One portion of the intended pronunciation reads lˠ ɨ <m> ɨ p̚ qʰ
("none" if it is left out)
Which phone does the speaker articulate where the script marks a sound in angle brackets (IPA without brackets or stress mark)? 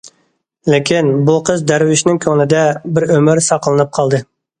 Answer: n